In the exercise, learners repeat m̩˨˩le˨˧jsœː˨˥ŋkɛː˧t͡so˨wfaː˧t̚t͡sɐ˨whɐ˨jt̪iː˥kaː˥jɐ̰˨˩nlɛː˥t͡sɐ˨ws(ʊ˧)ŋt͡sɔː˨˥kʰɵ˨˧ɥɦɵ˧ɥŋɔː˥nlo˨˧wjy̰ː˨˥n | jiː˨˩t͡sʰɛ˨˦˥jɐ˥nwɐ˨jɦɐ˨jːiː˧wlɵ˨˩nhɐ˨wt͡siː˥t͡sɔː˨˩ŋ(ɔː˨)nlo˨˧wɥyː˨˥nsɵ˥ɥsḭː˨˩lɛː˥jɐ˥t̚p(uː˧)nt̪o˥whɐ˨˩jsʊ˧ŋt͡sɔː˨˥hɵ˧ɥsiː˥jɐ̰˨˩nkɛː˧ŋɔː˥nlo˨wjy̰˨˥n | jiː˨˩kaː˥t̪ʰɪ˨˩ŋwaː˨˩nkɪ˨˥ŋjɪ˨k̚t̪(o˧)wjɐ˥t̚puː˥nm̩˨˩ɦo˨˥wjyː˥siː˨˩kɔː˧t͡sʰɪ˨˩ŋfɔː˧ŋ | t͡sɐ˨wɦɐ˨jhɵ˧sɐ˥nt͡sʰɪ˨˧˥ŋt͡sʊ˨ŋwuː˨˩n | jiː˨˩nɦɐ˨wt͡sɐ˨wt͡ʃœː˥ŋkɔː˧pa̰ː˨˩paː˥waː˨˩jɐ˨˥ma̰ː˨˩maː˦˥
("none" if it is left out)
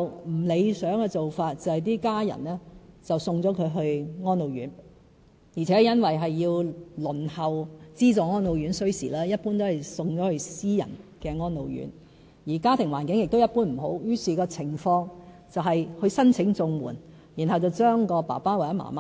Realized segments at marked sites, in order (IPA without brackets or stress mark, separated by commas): ʊ˧, ɔː˥, uː˥, o˥